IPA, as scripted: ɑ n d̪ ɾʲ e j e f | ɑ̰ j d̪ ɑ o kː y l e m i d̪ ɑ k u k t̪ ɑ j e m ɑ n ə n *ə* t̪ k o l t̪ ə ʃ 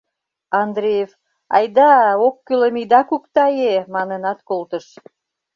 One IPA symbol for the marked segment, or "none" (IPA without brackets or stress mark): ɑ